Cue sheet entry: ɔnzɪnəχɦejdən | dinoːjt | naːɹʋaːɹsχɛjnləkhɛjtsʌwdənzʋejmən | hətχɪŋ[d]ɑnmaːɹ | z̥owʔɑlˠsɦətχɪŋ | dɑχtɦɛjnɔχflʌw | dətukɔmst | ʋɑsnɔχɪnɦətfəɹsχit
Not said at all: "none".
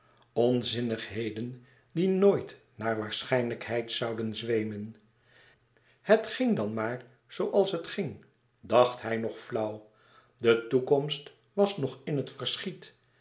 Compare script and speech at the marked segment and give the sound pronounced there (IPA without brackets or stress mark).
d